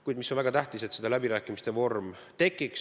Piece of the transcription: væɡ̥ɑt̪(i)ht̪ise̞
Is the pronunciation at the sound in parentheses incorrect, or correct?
incorrect